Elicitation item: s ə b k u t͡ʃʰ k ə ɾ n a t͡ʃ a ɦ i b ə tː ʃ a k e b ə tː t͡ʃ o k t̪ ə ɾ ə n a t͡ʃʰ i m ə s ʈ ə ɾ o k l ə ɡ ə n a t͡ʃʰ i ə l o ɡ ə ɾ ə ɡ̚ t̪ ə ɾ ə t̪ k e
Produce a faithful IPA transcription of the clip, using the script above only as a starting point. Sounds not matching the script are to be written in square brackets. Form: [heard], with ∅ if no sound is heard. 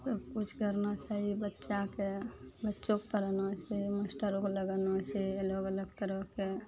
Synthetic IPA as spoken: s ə b k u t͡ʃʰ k ə ɾ n a t͡ʃ a ɦ i b ə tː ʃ a k e b ə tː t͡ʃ o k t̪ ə ɾ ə n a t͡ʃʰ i m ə s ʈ ə ɾ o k l ə ɡ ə n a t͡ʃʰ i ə l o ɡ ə [l] ə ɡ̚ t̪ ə ɾ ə [∅] k e